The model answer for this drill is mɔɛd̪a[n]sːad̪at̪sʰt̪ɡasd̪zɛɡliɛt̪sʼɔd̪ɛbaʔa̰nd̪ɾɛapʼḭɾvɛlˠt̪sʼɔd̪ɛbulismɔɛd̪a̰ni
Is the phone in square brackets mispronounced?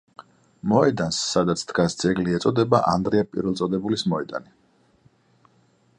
no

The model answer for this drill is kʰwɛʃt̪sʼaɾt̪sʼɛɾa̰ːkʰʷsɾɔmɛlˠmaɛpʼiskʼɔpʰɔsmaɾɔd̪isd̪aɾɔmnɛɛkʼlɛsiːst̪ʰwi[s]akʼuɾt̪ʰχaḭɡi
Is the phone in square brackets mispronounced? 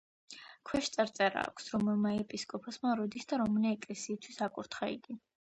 no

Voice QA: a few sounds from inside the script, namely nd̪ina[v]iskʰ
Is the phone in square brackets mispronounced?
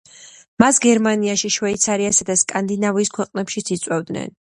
no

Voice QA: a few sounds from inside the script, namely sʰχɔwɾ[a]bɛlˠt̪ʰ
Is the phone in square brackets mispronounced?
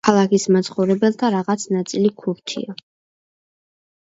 yes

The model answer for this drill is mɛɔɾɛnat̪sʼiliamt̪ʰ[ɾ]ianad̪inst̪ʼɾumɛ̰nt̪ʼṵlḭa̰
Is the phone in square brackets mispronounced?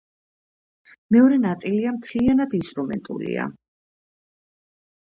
yes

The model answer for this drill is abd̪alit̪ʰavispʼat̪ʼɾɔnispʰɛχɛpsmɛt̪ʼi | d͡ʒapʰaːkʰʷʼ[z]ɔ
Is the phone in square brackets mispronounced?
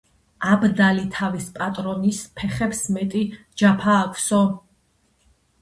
yes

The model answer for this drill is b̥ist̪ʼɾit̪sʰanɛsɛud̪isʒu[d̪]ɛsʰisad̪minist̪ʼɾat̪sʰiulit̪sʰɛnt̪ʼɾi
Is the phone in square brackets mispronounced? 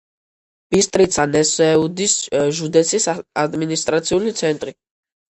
no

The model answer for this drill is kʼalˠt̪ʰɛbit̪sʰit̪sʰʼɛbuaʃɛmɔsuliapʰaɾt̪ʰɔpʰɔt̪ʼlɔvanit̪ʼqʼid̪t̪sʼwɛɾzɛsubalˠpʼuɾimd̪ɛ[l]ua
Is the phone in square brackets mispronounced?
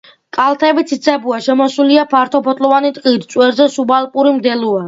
no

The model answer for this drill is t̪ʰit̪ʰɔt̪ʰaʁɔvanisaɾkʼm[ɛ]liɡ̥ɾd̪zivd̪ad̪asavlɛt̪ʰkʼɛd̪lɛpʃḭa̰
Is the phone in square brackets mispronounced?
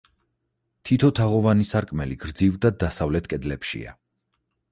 no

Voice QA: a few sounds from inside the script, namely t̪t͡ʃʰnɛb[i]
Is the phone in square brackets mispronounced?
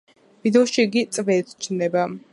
yes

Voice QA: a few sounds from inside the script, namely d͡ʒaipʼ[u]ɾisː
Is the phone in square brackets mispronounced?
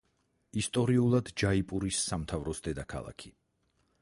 no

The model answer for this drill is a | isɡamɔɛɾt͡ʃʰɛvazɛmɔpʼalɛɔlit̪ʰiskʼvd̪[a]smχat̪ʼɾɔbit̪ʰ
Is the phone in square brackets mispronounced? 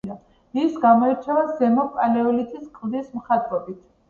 yes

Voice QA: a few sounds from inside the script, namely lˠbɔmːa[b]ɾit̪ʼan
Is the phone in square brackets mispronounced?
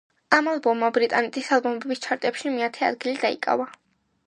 no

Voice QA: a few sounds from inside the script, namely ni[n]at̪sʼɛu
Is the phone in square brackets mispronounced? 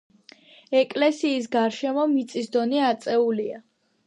yes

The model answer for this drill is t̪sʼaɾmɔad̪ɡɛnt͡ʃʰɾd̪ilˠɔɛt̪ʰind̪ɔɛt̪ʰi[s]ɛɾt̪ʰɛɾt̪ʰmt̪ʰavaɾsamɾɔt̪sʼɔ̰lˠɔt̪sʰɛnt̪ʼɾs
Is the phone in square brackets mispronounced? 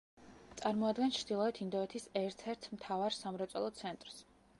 no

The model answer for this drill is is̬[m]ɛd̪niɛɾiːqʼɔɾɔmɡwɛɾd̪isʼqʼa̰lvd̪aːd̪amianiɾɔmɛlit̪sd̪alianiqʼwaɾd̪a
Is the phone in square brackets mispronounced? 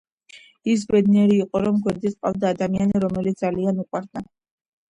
yes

